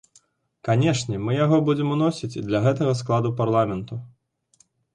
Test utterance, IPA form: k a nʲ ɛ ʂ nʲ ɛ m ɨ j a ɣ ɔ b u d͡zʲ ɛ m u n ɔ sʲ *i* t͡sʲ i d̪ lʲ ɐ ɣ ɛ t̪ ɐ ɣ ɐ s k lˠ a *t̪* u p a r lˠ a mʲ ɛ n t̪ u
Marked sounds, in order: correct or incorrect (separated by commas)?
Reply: correct, incorrect